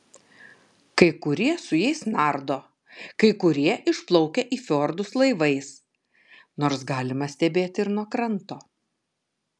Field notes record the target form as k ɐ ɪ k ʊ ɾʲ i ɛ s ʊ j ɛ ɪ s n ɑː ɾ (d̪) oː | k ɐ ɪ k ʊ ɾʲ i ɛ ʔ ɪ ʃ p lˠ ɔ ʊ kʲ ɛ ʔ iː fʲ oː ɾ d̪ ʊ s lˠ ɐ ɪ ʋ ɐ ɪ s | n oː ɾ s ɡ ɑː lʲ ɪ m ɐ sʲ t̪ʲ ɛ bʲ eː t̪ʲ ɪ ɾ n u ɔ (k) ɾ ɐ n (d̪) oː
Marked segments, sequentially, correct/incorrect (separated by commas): correct, correct, incorrect